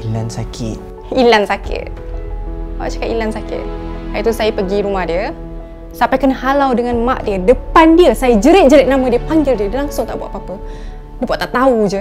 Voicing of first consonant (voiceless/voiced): voiced